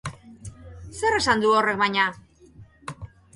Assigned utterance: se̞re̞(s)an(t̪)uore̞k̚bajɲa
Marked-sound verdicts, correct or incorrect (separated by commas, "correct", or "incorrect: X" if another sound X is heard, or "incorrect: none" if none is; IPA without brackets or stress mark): correct, incorrect: d̪